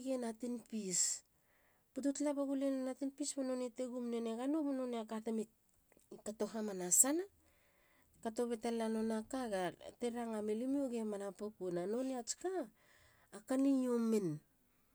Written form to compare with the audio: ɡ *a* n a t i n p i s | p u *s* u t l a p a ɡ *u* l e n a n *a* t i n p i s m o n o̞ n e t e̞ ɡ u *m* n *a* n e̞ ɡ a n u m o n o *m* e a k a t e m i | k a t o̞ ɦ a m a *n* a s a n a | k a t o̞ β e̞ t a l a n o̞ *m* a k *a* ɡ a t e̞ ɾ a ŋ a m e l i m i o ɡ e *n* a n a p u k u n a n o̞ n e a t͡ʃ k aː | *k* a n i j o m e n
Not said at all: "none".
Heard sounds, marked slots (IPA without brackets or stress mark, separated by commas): e, t, u, a, m, e, n, n, n, a, m, k